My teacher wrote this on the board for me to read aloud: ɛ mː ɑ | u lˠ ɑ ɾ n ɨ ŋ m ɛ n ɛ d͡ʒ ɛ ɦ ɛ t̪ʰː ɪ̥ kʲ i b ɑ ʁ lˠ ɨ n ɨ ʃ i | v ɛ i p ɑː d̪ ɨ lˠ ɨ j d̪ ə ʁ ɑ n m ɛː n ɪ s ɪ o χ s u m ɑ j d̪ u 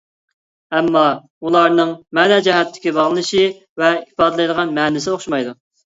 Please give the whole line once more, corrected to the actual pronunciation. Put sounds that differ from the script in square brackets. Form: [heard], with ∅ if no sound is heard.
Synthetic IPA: ɛ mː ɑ | u lˠ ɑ ɾ n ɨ ŋ m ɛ n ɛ d͡ʒ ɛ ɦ ɛ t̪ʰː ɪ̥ kʲ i b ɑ ʁ lˠ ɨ n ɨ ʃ i | v ɛ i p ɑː d̪ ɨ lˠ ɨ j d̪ ə ʁ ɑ n m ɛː n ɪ s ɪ o χ [ʃ] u m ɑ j d̪ u